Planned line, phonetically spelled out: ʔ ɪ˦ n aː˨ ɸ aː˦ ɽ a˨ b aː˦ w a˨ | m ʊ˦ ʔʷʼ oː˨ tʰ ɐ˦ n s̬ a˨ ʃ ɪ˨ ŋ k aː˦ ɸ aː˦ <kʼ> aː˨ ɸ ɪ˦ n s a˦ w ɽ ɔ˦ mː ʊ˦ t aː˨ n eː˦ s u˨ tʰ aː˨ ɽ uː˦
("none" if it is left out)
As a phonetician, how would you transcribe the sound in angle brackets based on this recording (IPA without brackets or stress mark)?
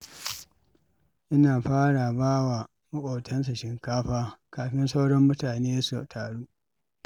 k